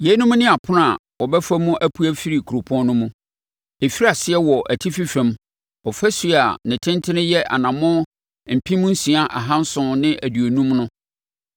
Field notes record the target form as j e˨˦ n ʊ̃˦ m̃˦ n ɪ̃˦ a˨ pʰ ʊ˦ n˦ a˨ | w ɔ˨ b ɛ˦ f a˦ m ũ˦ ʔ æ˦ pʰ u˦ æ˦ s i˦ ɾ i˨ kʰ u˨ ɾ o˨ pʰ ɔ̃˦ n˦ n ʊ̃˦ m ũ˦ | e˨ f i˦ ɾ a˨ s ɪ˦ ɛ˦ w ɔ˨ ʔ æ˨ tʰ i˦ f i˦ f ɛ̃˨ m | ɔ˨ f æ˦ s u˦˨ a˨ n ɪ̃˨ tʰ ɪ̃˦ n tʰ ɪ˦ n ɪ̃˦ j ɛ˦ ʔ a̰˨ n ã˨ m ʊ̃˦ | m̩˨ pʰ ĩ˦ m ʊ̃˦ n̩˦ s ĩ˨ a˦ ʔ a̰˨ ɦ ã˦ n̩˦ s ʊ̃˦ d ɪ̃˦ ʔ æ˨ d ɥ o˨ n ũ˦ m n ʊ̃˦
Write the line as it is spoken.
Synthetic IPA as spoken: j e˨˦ n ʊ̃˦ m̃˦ n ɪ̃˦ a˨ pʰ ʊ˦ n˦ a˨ | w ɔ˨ b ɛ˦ f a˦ m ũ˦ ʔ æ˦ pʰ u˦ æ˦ f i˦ ɾ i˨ kʰ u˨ ɾ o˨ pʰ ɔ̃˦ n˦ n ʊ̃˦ m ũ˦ | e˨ f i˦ ɾ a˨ s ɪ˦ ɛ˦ w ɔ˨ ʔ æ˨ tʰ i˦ f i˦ f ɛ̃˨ m | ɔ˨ f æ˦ s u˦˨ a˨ n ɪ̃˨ tʰ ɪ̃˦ n tʰ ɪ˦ n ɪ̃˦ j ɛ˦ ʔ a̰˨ n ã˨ m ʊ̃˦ | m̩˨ pʰ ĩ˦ m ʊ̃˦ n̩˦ s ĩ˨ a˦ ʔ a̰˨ ɦ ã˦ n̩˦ s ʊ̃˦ n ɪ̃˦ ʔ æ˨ d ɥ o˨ n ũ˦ m n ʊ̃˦